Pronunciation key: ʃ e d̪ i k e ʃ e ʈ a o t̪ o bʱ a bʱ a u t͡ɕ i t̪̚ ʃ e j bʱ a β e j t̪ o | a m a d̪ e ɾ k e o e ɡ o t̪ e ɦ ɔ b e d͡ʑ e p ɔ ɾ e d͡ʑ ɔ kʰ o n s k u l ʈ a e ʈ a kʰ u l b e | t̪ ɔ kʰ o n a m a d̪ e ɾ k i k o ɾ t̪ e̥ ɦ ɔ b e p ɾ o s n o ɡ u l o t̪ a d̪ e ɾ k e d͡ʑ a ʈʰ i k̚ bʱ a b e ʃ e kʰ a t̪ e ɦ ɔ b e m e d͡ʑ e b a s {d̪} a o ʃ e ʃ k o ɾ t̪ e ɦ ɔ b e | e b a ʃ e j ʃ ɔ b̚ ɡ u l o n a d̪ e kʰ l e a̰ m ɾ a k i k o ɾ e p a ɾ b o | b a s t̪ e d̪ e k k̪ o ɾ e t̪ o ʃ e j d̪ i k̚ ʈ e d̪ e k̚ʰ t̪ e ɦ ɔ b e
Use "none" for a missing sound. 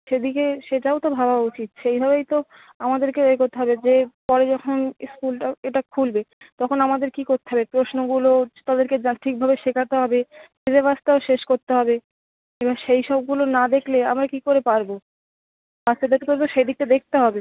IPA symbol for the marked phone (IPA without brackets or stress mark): t̪